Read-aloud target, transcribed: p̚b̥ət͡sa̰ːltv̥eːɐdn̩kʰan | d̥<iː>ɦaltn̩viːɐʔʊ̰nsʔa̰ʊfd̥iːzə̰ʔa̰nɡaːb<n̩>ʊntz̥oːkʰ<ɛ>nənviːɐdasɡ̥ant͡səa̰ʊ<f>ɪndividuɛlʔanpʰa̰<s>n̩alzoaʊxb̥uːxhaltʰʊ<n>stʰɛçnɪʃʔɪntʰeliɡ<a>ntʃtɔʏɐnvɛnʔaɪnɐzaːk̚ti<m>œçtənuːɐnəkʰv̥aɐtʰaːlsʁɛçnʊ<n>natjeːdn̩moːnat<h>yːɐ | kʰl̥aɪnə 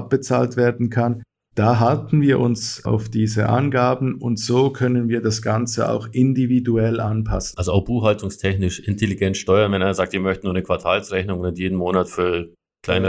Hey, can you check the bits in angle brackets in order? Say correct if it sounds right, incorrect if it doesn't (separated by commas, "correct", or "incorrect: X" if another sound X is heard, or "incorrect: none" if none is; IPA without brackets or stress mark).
incorrect: aː, correct, incorrect: œ, incorrect: x, correct, incorrect: ŋ, incorrect: ɛ, correct, incorrect: ŋ, incorrect: f